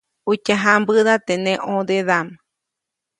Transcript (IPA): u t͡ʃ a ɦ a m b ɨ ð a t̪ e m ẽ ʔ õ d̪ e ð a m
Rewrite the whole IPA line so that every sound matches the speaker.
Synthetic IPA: u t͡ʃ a ɦ a m b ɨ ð a t̪ e n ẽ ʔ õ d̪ e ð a m